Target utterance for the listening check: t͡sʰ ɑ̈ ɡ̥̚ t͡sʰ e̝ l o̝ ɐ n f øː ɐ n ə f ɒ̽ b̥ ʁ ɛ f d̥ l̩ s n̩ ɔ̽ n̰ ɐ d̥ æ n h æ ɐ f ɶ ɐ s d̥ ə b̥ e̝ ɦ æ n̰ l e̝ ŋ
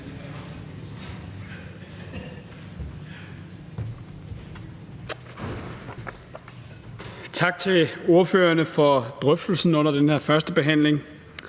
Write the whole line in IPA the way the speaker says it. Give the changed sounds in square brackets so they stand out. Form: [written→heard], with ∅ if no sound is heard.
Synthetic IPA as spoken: t͡sʰ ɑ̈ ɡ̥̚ t͡sʰ e̝ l o̝ ɐ [n→∅] f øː ɐ n ə f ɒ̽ [b̥→d̥] ʁ [ɛ→œ] f d̥ l̩ s n̩ ɔ̽ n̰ ɐ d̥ [æ→e] n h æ ɐ f ɶ ɐ s d̥ ə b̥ e̝ ɦ æ n̰ l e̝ ŋ